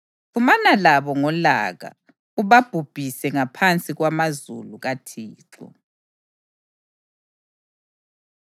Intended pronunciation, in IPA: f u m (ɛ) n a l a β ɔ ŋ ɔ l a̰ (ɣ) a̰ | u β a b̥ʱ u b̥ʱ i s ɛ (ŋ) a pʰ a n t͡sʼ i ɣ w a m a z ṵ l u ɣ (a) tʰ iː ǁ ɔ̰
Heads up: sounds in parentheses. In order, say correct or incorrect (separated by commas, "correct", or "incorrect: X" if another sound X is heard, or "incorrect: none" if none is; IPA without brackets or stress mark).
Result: incorrect: a, correct, correct, correct